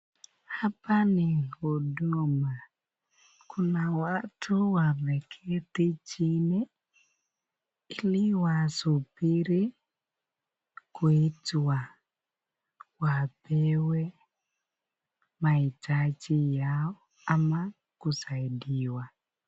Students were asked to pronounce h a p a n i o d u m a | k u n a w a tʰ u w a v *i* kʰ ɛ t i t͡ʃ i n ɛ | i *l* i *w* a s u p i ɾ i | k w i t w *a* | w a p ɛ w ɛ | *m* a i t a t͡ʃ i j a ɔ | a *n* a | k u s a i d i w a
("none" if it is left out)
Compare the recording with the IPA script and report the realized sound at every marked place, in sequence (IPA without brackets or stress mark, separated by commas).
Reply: ɛ, l, w, a, m, m